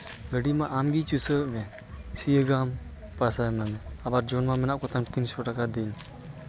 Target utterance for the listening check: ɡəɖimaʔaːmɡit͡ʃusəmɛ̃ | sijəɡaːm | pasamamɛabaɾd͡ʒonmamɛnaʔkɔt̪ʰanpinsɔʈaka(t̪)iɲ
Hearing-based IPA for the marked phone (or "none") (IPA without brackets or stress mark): d̪